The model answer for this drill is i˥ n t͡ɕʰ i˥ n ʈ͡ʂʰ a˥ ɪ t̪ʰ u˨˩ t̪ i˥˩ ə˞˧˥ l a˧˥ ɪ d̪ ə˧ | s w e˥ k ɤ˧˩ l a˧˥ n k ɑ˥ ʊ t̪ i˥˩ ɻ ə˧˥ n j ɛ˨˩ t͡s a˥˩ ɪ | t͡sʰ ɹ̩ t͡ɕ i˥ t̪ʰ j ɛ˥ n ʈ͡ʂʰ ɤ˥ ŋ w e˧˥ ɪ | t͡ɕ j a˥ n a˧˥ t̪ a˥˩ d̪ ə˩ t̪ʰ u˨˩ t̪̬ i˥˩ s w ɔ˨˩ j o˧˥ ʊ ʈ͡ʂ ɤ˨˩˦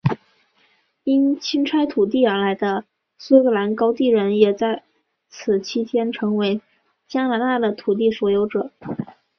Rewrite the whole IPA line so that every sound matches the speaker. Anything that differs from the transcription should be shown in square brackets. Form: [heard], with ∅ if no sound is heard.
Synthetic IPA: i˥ n t͡ɕʰ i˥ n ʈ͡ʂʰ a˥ ɪ t̪ʰ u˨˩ t̪ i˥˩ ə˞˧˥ l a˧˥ ɪ d̪ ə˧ | s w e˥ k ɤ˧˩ l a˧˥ n k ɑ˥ ʊ t̪ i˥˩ ɻ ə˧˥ n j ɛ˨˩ t͡s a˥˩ ɪ | t͡sʰ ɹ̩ [t͡ɕʰ] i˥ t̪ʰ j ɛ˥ n ʈ͡ʂʰ [ɤ˧˥] ŋ w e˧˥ ɪ | t͡ɕ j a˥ n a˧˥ t̪ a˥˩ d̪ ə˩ t̪ʰ u˨˩ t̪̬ i˥˩ s w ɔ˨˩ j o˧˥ ʊ ʈ͡ʂ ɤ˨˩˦